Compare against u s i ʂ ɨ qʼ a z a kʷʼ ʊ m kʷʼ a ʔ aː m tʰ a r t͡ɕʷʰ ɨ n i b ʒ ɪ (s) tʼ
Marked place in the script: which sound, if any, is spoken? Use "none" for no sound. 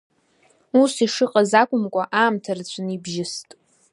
s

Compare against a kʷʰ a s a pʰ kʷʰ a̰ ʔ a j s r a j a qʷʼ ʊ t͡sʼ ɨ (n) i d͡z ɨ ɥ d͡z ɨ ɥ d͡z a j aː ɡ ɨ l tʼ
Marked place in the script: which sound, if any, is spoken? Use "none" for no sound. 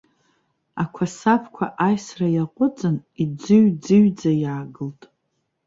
n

